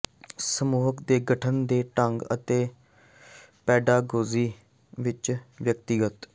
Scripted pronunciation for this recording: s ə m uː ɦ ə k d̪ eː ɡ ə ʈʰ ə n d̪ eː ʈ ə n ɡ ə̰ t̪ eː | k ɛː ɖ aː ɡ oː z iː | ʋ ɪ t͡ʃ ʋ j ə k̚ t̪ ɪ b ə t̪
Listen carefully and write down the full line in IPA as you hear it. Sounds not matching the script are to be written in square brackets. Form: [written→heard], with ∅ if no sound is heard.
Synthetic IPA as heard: s ə m uː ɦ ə k d̪ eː ɡ ə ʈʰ ə n d̪ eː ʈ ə [n→ŋ] ɡ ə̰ t̪ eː | [k→p] ɛː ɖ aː ɡ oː z iː | ʋ ɪ t͡ʃ ʋ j ə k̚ t̪ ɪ [b→ɡ] ə t̪